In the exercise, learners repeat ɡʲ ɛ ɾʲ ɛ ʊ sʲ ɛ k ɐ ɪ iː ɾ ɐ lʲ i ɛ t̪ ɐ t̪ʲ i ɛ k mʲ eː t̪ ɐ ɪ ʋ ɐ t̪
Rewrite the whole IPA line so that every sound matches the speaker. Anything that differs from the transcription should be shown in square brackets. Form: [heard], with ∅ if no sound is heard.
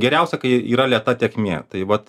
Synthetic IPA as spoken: ɡʲ ɛ ɾʲ ɛ ʊ sʲ ɛ k ɐ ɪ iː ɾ ɐ lʲ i ɛ t̪ ɐ t̪ʲ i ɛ k mʲ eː t̪ ɐ ɪ ʋ ɐ t̪